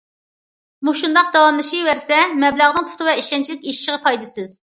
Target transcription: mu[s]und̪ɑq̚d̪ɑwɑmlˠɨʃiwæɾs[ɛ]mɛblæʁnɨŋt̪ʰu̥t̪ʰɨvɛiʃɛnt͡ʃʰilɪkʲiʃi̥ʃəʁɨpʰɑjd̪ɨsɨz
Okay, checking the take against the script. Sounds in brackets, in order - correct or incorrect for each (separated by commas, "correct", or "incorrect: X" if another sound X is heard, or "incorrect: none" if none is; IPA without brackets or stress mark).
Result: incorrect: ʃ, correct